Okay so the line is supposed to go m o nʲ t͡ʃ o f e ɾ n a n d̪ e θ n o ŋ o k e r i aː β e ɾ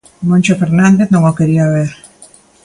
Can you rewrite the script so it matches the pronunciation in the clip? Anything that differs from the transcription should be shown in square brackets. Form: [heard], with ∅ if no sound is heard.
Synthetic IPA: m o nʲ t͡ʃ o f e ɾ n a n d̪ e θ n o ŋ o k e [ɾ] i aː β e ɾ